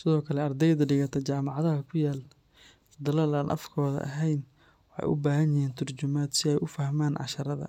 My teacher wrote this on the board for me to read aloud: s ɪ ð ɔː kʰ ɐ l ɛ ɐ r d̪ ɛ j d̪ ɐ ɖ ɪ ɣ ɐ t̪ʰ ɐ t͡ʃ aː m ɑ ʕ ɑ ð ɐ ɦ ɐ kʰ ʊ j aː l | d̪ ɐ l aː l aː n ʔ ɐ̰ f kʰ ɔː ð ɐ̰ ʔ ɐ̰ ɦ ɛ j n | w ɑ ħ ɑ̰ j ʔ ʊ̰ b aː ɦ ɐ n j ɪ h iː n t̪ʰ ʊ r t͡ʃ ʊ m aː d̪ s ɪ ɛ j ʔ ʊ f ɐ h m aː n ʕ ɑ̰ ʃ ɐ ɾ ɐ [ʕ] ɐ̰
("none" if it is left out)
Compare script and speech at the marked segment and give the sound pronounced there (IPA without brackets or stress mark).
ð